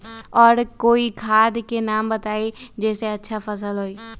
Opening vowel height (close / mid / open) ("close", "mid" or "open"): mid